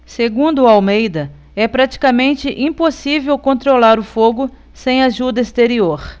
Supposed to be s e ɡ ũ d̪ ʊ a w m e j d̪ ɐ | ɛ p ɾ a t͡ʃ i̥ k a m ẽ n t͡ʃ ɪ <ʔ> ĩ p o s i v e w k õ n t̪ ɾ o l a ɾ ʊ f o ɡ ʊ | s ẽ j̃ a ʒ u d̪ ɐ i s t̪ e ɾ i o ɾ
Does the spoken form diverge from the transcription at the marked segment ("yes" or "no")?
no